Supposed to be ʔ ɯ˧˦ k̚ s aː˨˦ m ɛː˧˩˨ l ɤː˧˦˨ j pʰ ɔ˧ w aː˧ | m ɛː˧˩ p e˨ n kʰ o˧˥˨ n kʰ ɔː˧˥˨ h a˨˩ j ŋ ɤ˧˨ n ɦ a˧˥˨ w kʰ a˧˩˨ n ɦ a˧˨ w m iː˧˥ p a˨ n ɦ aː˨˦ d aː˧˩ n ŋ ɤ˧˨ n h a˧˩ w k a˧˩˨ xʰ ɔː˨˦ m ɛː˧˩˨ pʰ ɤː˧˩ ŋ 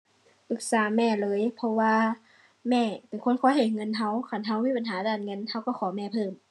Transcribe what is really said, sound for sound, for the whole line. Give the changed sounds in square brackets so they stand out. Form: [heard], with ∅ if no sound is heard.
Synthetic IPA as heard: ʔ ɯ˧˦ k̚ s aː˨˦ m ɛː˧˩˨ l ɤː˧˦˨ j pʰ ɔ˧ w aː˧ | m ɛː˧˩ p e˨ n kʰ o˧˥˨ n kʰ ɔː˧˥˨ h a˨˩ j ŋ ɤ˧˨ n ɦ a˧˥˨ w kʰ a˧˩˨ n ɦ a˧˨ w m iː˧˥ p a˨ n ɦ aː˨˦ d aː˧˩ n ŋ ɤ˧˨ n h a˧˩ w k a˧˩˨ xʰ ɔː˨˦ m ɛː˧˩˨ pʰ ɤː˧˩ [m]